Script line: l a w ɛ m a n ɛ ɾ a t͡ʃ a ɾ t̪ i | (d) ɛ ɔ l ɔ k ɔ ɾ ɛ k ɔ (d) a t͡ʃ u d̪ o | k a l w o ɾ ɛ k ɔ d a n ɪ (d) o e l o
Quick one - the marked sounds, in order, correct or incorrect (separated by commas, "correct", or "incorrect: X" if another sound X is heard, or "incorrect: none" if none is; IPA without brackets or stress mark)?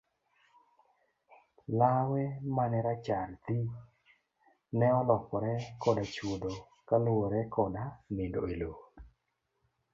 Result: incorrect: n, correct, correct